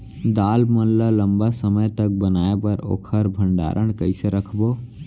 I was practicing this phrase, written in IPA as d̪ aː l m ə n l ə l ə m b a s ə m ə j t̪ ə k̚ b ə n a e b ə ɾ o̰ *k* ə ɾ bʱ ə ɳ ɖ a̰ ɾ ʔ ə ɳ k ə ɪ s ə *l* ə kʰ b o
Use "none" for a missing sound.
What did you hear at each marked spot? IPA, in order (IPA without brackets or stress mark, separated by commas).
kʰ, ɾ